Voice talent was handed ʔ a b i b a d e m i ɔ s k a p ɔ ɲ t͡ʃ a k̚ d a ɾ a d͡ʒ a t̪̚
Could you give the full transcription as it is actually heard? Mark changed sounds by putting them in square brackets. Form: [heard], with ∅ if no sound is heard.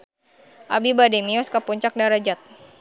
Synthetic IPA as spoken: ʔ a b i b a d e m i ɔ s k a p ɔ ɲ t͡ʃ a k̚ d a ɾ a d͡ʒ a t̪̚